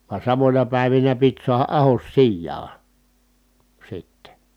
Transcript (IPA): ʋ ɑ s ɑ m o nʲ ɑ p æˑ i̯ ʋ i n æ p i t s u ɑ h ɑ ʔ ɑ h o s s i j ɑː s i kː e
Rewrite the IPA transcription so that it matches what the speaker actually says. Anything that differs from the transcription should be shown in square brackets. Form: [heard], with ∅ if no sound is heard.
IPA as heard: ʋ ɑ s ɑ m o nʲ ɑ p æˑ i̯ ʋ i n æ p i t s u ɑ h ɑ ʔ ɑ h o s s i [jː] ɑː s i [tː] e